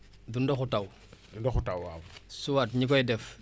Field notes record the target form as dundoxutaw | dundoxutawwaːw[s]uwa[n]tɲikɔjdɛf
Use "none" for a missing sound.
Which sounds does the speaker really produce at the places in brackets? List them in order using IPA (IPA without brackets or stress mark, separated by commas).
s, none